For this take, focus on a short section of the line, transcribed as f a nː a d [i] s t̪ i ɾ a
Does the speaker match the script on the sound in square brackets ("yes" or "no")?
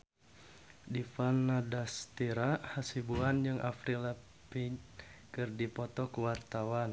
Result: no